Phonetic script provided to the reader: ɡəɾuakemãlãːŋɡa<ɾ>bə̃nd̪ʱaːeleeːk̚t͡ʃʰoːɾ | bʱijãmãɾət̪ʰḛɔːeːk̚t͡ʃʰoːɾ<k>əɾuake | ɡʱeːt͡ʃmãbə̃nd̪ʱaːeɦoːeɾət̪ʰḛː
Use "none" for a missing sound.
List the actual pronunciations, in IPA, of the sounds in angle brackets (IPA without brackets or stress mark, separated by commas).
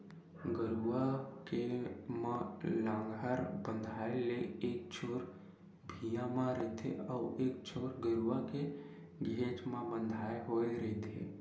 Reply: ɾ, ɡ